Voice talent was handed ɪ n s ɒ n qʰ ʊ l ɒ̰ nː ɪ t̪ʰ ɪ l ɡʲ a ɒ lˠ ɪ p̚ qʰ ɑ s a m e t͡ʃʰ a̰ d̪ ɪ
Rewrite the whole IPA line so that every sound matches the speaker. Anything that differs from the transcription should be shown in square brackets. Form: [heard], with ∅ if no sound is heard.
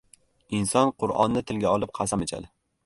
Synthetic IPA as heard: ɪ n s ɒ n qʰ ʊ [ɾ] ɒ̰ nː ɪ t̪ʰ ɪ l ɡʲ a ɒ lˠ ɪ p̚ qʰ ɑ s a m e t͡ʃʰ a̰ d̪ ɪ